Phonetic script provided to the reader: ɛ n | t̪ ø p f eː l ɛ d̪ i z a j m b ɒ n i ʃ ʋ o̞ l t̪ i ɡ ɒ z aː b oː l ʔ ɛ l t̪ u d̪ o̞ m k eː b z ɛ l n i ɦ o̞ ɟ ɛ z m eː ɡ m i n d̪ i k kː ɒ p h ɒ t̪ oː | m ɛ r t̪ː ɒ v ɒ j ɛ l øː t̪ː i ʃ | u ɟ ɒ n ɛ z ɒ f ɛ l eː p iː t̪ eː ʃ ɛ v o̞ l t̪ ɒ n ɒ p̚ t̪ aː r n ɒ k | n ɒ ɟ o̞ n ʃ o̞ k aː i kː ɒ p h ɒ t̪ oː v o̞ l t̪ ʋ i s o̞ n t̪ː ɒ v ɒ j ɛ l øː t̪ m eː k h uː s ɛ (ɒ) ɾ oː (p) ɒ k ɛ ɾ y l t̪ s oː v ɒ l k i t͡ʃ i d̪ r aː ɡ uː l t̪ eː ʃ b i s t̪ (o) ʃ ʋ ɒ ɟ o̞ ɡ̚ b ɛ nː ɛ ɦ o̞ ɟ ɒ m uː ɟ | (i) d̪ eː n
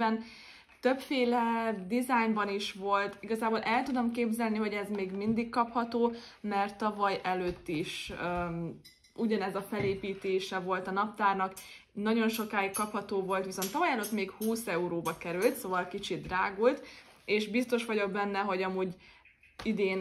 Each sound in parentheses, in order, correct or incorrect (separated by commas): incorrect, incorrect, correct, correct